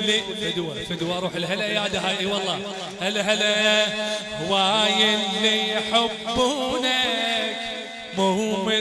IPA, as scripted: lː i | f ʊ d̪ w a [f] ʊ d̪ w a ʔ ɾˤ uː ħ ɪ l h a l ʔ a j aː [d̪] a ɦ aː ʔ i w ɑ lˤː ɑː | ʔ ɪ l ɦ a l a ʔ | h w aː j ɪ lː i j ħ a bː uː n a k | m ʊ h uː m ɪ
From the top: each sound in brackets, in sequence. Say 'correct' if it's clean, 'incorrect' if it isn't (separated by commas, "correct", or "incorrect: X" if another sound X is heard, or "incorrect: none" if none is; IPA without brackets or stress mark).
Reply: correct, correct